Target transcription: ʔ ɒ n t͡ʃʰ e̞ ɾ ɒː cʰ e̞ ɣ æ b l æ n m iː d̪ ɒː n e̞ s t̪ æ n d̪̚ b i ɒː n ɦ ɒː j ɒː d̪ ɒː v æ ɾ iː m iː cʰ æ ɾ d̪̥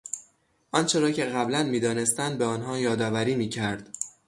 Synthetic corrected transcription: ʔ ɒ n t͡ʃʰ e̞ ɾ ɒː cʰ e̞ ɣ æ b l æ n m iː d̪ ɒː n e̞ s t̪ æ n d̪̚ b e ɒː n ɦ ɒː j ɒː d̪ ɒː v æ ɾ iː m iː cʰ æ ɾ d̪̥

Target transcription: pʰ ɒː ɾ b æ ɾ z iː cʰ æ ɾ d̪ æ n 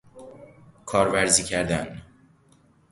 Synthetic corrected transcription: kʰ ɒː ɾ v æ ɾ z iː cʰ æ ɾ d̪ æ n

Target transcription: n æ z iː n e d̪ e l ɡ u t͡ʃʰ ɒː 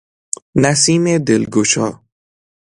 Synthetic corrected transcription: n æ s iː m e d̪ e l ɡ o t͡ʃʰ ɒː

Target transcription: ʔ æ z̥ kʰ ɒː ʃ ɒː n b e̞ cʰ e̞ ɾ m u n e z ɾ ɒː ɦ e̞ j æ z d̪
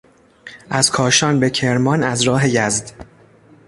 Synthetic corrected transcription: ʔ æ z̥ kʰ ɒː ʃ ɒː n b e̞ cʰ e̞ ɾ m ɒ n æ z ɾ ɒː ɦ e̞ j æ z d̪

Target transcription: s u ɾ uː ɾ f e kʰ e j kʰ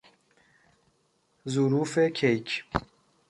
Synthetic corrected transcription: z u ɾ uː f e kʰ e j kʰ

